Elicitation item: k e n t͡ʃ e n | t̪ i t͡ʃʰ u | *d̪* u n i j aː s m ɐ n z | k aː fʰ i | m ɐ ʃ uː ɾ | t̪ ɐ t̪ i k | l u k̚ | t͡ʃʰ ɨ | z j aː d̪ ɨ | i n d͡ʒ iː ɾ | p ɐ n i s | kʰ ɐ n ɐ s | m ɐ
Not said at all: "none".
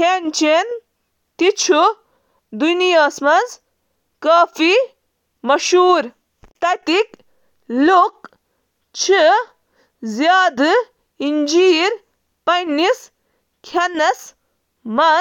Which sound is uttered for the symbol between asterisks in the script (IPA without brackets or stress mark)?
d̪